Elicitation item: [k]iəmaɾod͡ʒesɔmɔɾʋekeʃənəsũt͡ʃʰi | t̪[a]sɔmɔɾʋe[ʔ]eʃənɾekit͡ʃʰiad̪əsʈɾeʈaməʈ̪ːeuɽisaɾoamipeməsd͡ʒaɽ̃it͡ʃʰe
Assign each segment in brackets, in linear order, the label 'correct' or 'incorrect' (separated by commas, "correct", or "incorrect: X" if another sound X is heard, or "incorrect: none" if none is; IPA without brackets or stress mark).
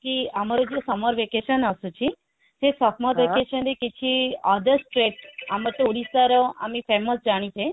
correct, incorrect: e, incorrect: k